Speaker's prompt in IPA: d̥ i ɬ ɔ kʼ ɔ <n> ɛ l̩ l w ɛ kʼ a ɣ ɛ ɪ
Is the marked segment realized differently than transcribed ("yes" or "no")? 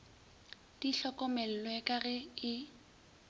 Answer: yes